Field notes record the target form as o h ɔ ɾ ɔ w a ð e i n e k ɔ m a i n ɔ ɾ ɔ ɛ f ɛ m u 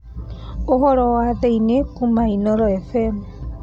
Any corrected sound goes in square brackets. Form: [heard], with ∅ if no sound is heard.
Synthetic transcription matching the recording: o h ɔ ɾ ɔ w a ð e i n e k [u] m a i n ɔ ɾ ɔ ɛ f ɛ m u